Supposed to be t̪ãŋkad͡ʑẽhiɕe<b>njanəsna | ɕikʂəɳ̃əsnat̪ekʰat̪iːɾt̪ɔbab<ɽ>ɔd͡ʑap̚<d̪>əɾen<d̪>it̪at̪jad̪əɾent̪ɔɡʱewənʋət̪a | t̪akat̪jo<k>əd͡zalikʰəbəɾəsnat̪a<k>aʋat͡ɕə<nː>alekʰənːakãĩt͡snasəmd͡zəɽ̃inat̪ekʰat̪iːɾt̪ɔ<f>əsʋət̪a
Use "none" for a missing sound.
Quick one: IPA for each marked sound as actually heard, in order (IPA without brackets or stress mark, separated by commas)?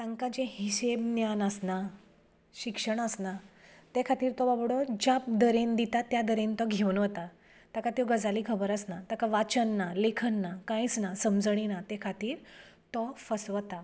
b, ɽ, d̪, d̪, ɡ, k, nː, f